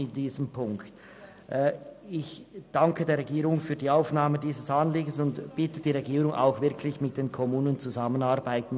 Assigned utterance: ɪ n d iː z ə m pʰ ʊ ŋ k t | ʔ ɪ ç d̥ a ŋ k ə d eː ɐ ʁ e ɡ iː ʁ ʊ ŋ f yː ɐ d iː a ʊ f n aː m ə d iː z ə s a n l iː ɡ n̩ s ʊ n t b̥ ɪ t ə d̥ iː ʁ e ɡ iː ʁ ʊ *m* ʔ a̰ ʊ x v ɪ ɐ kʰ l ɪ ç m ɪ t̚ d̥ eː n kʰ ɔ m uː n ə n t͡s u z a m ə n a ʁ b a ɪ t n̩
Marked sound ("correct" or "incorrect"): incorrect